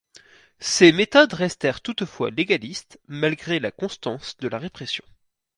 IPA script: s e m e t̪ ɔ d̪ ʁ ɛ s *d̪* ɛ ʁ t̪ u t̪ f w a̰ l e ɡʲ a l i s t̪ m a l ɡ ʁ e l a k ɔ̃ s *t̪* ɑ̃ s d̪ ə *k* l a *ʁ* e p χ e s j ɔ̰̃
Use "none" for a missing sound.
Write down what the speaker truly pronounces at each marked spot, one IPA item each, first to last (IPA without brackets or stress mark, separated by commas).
t̪, t̪, none, ʁ